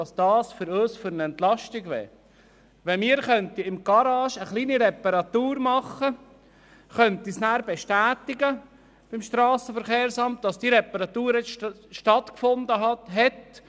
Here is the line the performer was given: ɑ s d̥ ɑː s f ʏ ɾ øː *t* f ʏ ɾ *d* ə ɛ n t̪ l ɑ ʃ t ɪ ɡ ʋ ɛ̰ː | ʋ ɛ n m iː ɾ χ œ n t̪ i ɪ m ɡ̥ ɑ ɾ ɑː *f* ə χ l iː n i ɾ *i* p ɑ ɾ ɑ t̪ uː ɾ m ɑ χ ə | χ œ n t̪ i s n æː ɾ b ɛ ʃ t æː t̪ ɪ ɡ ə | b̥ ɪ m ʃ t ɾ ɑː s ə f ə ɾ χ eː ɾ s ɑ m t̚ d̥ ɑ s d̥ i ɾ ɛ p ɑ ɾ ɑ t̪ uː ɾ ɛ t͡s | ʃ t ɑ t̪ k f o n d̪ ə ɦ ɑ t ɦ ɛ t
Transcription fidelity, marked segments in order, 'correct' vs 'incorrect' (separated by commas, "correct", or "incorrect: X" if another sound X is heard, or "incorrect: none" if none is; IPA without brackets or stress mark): incorrect: s, incorrect: n, incorrect: ʃ, incorrect: ɛ